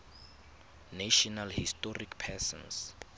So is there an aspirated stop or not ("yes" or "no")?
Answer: yes